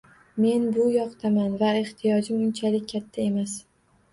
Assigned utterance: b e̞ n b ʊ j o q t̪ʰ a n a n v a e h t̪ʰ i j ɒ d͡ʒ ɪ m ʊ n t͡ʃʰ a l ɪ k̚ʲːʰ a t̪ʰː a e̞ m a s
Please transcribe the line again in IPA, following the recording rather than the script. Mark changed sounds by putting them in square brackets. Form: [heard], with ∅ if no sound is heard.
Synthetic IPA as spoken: [m] e̞ n b ʊ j [ɒ] q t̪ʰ a [m] a n v a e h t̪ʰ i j ɒ d͡ʒ ɪ m ʊ n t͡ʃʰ a l ɪ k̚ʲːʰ a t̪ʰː a e̞ m a s